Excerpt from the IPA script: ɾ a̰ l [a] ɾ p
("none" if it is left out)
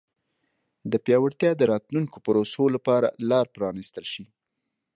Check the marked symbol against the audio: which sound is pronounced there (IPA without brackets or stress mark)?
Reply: ɑ